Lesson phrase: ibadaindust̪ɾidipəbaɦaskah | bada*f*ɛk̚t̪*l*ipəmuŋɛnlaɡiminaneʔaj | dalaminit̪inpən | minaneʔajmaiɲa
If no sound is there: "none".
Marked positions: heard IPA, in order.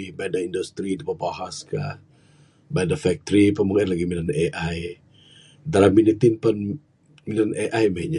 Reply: f, ɾ

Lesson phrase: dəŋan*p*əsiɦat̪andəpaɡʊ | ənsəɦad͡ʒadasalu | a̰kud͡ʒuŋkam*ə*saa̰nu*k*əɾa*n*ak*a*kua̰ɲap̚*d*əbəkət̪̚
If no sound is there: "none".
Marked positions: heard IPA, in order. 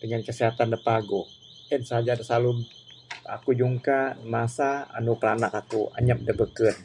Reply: k, a, p, n, a, d

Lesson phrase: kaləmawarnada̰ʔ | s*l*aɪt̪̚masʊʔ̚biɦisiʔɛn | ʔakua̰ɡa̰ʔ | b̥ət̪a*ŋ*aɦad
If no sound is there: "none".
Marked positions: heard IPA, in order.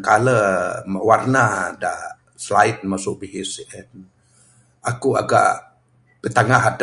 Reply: l, ŋ

